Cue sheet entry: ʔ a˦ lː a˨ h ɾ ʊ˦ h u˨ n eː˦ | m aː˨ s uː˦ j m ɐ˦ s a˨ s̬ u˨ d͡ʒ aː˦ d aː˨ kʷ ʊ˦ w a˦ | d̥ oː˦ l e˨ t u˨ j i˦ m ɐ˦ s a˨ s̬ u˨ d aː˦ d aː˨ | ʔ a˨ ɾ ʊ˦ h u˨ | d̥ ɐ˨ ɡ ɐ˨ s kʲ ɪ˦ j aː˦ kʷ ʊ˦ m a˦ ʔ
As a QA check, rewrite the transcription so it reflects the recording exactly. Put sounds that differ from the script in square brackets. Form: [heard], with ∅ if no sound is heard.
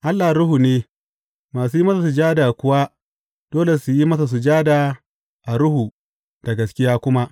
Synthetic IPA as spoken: ʔ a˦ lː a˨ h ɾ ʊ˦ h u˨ n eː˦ | m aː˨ s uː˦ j m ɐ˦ s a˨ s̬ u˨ d͡ʒ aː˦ d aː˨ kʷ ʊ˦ w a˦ | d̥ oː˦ l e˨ [s] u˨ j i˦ m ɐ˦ s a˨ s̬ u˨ [d͡ʒ] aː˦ d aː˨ | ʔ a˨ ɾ ʊ˦ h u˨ | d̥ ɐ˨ ɡ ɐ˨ s kʲ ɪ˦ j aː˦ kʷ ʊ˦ m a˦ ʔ